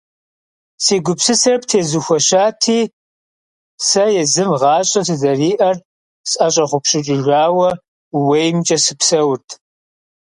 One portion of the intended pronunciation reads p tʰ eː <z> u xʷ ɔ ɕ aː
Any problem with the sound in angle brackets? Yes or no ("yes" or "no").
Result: no